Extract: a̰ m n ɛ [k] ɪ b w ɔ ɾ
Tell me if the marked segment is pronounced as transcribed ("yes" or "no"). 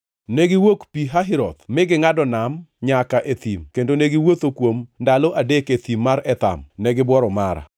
no